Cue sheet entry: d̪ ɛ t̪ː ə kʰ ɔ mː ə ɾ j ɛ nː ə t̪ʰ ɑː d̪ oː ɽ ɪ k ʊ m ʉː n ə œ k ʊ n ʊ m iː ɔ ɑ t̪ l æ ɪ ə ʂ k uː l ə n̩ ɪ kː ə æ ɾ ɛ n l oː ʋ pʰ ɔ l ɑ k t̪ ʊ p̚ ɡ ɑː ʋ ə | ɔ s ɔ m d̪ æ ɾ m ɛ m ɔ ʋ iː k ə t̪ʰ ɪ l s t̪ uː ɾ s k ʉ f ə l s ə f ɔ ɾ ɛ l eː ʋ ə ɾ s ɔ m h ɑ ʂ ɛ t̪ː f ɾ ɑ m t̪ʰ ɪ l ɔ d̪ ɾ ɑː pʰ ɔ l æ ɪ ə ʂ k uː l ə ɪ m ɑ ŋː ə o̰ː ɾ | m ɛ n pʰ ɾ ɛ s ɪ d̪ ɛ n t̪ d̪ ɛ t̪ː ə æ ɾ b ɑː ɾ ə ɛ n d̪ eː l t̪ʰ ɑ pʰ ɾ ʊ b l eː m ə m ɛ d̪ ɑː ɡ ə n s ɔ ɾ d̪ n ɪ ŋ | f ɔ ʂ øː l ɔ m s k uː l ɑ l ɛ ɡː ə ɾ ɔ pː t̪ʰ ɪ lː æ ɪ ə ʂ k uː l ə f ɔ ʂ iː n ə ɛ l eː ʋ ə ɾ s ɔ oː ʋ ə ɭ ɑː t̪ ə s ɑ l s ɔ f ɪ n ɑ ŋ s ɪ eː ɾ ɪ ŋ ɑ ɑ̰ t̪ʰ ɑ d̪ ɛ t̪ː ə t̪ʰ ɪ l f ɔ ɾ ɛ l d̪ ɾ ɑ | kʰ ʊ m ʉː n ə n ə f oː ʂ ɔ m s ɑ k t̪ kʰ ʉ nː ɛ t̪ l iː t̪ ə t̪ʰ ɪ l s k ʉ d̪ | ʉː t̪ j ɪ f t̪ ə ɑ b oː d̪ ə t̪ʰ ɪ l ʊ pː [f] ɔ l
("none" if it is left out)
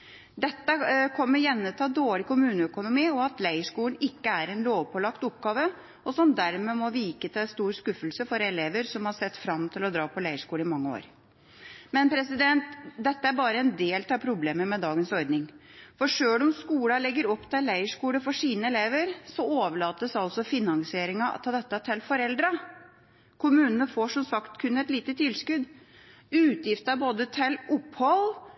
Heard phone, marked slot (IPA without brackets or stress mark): h